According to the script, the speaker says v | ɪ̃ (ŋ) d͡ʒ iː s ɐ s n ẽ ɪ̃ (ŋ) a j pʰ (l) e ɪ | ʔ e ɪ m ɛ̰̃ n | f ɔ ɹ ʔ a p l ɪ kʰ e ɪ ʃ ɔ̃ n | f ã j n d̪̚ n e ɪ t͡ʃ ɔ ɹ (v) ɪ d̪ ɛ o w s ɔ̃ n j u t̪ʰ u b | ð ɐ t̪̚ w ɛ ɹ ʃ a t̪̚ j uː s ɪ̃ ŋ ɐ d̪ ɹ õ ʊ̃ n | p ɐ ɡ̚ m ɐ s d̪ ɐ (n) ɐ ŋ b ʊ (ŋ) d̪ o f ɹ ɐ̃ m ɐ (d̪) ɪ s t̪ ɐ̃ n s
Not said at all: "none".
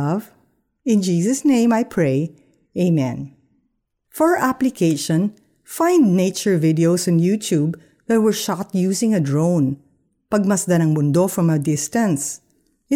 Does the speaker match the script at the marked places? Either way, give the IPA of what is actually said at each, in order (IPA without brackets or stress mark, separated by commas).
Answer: n, m, ɹ, v, n, n, d̪